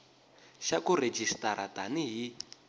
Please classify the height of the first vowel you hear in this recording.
low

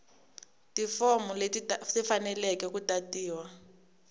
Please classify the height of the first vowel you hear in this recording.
high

